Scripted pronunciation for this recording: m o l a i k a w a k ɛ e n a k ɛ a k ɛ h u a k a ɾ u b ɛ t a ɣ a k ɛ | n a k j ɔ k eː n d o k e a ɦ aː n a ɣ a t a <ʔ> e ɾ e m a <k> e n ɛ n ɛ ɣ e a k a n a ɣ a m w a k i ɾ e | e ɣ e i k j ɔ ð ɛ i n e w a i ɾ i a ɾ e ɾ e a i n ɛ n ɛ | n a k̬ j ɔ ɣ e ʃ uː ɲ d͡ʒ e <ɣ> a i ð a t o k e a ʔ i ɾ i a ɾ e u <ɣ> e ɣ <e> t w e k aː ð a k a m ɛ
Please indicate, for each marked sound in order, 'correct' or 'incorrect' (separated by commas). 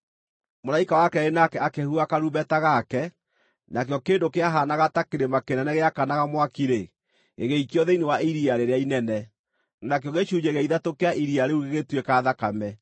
incorrect, correct, correct, correct, correct